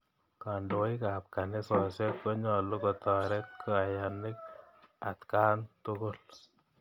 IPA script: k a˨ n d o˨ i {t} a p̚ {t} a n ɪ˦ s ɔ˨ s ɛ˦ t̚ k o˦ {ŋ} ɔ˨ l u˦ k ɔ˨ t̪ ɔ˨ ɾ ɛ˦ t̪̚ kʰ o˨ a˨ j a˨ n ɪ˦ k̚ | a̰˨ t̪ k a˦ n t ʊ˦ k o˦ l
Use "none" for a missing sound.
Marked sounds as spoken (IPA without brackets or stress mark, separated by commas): k, k, ɲ